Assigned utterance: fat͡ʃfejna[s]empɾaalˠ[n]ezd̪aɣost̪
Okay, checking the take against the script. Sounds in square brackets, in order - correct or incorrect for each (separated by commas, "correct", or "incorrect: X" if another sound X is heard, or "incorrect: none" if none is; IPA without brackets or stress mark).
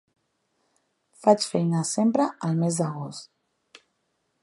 correct, incorrect: m